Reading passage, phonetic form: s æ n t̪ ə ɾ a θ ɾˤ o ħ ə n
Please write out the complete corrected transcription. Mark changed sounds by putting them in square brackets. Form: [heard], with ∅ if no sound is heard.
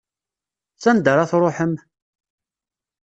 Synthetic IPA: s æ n [d̪] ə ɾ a θ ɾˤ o ħ ə [m]

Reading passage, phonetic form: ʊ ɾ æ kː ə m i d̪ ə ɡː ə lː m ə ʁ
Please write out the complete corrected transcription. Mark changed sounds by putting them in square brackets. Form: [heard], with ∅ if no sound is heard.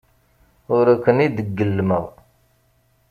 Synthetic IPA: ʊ ɾ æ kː ə [n] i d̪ ə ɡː ə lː m ə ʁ

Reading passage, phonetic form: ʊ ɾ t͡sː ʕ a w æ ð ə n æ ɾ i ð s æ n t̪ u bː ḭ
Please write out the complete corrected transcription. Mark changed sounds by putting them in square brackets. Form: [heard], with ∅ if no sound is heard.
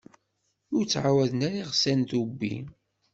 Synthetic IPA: ʊ ɾ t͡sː ʕ a w æ ð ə n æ ɾ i [ʁ] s æ n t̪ u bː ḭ

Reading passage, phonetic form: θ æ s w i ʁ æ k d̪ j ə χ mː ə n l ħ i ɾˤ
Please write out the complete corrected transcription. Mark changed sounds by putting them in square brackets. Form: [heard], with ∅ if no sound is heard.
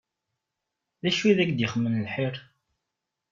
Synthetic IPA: [ð] æ [ʃ] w i [ð] æ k d̪ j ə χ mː ə n l ħ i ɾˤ

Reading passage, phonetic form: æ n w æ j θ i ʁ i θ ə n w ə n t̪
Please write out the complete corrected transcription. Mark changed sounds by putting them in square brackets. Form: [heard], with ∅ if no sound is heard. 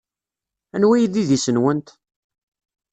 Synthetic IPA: æ n w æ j [ð] i [ð] i [s] ə n w ə n t̪

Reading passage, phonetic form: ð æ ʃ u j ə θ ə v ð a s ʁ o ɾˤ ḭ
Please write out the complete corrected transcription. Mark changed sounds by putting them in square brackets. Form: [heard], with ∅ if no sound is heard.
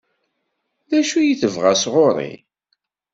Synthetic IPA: ð æ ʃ u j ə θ ə v [ʁ] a s ʁ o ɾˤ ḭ

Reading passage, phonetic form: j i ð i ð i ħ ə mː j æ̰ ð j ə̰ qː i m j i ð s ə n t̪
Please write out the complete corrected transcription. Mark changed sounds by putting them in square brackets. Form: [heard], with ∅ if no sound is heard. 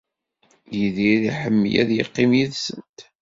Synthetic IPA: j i ð i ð i ħ ə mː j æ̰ ð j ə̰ qː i m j i ð s ə n t̪

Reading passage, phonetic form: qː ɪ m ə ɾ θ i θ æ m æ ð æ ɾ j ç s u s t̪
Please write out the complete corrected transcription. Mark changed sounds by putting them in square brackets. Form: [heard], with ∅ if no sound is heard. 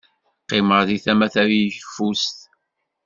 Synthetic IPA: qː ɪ m ə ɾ [ð] i θ æ m æ [θ] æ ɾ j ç [f] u s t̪

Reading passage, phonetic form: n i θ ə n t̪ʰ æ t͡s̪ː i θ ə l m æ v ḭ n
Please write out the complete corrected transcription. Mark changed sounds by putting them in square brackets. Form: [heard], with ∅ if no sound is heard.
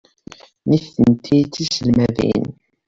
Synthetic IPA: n i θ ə n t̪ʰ [i] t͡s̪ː i [s] ə l m æ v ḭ n

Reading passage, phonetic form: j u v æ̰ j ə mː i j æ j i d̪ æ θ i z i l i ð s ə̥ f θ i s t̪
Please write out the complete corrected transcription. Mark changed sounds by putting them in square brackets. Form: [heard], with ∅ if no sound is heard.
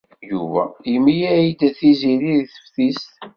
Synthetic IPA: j u v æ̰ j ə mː i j æ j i d̪ æ θ i z i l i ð [θ] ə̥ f θ i s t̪

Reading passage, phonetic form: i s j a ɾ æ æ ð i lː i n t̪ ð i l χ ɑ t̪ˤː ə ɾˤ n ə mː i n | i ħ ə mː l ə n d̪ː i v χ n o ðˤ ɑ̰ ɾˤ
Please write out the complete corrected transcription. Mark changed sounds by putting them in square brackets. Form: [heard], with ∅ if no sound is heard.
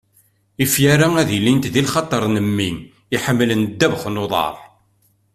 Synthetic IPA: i [f] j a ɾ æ æ ð i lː i n t̪ ð i l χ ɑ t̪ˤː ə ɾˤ n ə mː i n | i ħ ə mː l ə n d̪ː [æ] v χ n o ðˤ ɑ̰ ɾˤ

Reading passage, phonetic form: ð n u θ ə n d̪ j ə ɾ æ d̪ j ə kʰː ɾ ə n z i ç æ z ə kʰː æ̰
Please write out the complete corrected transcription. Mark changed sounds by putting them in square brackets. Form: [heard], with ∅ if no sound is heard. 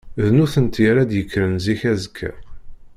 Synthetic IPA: ð n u θ ə n [t̪] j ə ɾ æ d̪ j ə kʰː ɾ ə n z i ç æ z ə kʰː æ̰

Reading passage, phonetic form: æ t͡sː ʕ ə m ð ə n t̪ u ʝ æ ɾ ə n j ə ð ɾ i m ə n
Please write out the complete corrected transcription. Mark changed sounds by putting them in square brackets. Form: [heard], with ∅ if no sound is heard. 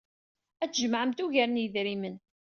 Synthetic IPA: æ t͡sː [ʒ] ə m [ʕ] ə [m] t̪ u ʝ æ ɾ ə n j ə ð ɾ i m ə n

